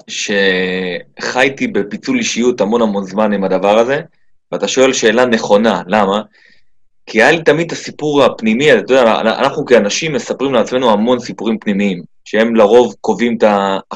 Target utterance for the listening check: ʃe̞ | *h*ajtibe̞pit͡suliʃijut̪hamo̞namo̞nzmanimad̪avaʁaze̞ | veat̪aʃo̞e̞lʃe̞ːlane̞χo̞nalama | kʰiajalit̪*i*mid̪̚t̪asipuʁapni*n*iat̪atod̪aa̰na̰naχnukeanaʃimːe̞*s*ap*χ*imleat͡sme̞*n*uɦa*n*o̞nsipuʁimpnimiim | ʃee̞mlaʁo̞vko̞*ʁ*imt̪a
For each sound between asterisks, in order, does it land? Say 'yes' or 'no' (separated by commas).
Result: no, no, no, yes, no, yes, no, no